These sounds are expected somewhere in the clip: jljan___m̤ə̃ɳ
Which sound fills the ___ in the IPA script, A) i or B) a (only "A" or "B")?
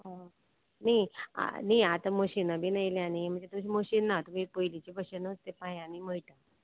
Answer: A